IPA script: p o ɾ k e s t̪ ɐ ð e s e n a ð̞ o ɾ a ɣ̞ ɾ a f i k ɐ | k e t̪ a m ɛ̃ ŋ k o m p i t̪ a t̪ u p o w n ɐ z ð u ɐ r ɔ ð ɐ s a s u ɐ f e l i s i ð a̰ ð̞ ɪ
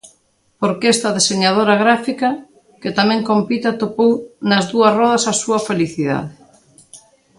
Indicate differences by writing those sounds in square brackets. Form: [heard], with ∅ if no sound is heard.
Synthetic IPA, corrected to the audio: p o ɾ k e s t̪ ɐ ð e s e [ɲ] a ð̞ o ɾ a ɣ̞ ɾ a f i k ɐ | k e t̪ a m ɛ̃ ŋ k o m p i t̪ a t̪ [o] p o w n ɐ z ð u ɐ r ɔ ð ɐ s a s u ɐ f e l i [θ] i ð a̰ ð̞ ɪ